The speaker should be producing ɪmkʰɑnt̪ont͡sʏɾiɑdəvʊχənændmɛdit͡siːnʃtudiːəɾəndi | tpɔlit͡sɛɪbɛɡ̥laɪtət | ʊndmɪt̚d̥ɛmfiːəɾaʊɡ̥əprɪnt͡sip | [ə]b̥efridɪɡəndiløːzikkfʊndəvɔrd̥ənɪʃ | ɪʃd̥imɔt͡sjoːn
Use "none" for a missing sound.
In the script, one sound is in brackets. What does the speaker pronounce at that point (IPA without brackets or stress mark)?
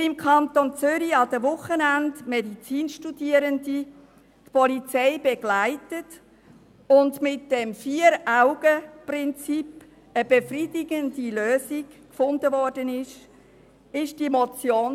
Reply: ə